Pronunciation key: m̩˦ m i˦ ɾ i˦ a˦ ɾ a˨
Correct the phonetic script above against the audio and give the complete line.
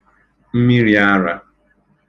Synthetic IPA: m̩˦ m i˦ ɾ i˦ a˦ ɾ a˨

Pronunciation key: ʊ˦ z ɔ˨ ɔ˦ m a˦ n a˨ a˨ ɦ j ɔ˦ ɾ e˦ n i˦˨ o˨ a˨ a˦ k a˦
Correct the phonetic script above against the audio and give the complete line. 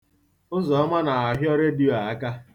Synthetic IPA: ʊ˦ z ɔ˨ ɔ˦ m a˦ n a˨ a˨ ɦ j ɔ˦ ɾ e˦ d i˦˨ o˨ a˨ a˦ k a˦

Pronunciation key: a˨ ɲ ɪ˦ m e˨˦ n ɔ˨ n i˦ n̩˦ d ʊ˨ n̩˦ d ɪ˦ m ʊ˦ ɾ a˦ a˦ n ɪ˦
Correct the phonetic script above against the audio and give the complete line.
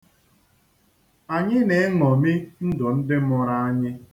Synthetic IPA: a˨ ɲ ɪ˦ n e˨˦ ŋ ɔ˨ m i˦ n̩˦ d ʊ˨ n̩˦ d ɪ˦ m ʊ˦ ɾ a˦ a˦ ɲ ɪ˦

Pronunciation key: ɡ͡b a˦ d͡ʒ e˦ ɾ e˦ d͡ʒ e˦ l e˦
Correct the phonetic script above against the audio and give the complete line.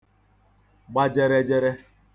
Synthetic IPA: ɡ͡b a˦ d͡ʒ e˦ ɾ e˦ d͡ʒ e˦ ɾ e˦

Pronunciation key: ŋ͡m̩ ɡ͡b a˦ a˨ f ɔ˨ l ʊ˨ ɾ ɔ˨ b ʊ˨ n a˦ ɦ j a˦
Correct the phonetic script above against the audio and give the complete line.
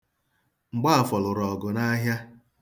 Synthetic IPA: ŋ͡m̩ ɡ͡b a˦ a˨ f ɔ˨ l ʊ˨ ɾ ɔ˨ ɡ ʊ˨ n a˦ ɦ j a˦

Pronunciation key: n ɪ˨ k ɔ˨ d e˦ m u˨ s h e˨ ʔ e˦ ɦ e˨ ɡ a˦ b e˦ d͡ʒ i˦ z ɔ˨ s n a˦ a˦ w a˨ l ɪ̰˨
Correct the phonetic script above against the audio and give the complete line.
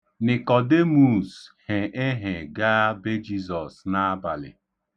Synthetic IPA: n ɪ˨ k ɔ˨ d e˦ m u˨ s h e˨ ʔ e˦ ɦ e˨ ɡ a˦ b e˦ d͡ʒ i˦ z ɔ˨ s n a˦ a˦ b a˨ l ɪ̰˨

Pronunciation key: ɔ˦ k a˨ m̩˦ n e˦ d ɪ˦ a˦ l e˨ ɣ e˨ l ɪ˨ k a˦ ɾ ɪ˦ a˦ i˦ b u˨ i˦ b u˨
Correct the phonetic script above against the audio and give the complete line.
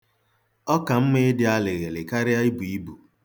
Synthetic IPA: ɔ˦ k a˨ m̩˦ m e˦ d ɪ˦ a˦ l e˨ ɣ e˨ l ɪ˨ k a˦ ɾ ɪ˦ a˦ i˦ b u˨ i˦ b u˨

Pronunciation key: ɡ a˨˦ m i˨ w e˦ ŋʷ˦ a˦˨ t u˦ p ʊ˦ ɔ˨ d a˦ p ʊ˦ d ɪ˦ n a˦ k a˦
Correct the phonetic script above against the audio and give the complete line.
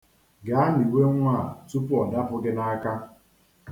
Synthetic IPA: ɡ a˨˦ n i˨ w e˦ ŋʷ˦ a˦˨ t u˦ p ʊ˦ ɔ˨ d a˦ p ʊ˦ ɡ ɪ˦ n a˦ k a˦

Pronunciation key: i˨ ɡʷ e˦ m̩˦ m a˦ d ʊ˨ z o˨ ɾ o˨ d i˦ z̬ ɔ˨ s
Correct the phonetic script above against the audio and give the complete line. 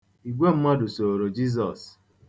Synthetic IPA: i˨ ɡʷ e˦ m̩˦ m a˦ d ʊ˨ s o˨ ɾ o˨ d͡ʒ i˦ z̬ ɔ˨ s

